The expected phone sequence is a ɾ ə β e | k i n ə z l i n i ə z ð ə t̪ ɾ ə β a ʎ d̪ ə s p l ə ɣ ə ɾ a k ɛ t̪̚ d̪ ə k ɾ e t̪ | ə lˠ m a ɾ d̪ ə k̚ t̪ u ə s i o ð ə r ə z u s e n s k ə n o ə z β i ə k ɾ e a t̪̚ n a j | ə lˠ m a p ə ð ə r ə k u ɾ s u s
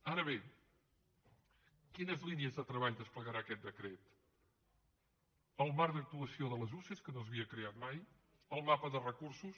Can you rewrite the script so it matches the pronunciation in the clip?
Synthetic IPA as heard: a ɾ ə β e | k i n ə z l i n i ə z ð ə t̪ ɾ ə β a ʎ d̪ ə s p l ə ɣ ə ɾ a k ɛ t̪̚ d̪ ə k ɾ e t̪ | ə lˠ m a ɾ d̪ ə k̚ t̪ u ə s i o ð ə l ə z u s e s k ə n o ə z β i ə k ɾ e a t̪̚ m a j | ə lˠ m a p ə ð ə r ə k u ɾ s u s